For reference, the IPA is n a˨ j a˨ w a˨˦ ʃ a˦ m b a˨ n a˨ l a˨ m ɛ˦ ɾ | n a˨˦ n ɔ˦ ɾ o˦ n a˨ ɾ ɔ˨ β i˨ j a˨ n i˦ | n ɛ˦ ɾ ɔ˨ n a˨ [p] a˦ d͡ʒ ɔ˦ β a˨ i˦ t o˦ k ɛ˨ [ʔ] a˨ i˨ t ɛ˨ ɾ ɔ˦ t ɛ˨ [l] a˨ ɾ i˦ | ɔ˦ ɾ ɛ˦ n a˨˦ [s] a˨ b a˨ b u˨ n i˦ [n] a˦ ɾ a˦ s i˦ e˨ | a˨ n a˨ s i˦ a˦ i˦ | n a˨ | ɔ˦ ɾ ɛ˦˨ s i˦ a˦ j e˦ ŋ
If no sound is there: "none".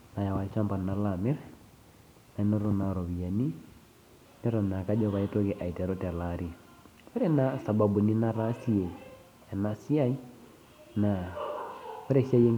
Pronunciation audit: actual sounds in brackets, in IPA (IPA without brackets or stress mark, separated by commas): k, ʔ, l, s, n